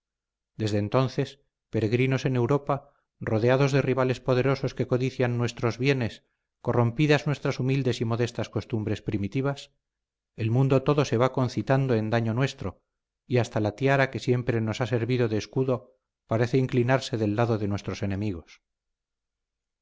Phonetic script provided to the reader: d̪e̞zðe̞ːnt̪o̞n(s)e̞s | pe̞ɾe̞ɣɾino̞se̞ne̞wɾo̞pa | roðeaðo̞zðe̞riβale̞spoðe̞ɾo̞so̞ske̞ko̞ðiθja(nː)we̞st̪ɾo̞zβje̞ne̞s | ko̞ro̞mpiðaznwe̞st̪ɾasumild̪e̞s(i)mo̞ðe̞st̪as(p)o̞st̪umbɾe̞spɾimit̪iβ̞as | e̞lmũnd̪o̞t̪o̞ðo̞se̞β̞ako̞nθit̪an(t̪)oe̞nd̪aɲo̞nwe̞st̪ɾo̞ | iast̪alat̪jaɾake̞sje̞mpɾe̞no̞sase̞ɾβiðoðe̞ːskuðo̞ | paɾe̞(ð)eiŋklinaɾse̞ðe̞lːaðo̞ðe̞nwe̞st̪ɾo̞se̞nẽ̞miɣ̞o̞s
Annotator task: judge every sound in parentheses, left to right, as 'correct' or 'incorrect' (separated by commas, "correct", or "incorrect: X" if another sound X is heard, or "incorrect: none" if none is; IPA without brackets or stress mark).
incorrect: θ, correct, correct, incorrect: k, incorrect: d̪, incorrect: θ